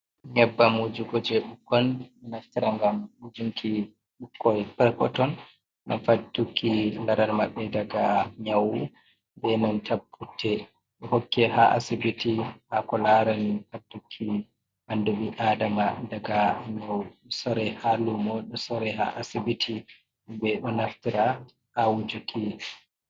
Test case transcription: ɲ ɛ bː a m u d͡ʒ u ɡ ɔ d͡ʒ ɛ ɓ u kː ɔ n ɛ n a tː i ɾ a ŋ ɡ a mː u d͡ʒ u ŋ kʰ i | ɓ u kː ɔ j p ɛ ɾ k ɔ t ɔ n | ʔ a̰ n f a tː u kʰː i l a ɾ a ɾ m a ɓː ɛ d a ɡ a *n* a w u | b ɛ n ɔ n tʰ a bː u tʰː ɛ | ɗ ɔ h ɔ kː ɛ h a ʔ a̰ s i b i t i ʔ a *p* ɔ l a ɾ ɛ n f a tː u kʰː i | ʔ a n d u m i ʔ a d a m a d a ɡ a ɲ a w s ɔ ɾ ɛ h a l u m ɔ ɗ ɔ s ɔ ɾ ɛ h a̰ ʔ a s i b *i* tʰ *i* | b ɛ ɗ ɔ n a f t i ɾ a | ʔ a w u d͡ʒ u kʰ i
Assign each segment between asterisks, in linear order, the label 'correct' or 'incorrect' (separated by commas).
incorrect, incorrect, correct, correct